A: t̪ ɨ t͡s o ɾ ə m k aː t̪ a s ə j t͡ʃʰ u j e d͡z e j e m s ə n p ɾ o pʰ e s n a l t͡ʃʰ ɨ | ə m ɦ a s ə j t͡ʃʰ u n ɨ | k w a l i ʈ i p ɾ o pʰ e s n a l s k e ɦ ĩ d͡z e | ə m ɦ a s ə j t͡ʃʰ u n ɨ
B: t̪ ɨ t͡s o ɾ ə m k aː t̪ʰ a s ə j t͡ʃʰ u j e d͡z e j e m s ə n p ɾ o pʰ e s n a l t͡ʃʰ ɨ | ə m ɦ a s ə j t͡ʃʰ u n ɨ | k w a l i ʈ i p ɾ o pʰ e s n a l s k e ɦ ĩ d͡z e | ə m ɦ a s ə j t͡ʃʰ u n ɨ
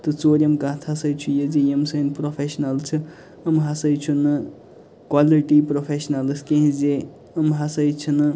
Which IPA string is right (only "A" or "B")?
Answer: B